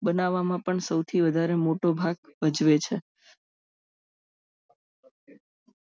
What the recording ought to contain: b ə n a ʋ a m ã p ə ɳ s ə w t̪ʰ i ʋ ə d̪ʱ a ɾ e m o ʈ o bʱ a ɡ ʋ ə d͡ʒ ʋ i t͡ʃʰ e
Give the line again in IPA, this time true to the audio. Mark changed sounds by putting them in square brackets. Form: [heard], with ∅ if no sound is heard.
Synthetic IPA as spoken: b ə n a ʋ a m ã p ə ɳ s ə w t̪ʰ i ʋ ə d̪ʱ a ɾ e m o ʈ o bʱ a ɡ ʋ ə d͡ʒ ʋ [e] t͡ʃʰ e